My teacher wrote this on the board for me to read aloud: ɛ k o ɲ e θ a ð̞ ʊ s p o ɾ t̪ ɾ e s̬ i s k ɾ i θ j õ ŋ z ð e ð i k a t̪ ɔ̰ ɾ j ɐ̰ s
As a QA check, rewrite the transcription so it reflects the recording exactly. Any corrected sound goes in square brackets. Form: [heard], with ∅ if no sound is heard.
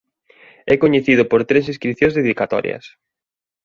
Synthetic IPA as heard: ɛ k o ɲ e θ [i] ð̞ ʊ [∅] p o ɾ t̪ ɾ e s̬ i s k ɾ i θ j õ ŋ z ð e ð i k a t̪ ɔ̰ ɾ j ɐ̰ s